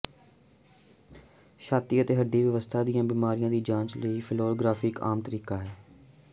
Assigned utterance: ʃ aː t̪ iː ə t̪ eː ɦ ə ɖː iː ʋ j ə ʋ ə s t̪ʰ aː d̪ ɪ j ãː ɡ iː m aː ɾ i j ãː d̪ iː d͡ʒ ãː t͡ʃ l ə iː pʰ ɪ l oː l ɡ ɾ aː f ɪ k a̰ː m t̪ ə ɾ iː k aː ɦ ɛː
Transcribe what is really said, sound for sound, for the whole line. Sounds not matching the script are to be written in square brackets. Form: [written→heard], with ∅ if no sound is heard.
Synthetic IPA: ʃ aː t̪ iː ə t̪ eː ɦ ə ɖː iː ʋ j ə ʋ ə s t̪ʰ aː d̪ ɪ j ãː [ɡ→b] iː m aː ɾ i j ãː d̪ iː d͡ʒ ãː t͡ʃ l ə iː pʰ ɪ l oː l ɡ ɾ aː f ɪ k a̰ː m t̪ ə ɾ iː k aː ɦ ɛː